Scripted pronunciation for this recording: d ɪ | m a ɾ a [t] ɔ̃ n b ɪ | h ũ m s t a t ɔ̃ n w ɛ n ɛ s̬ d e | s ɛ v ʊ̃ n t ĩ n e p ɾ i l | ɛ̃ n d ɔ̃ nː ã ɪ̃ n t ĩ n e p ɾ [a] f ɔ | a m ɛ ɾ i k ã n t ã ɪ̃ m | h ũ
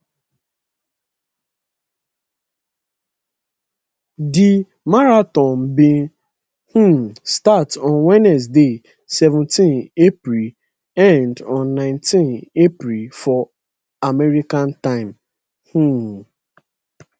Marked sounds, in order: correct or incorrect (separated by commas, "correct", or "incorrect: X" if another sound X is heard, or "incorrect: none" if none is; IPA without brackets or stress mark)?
correct, incorrect: i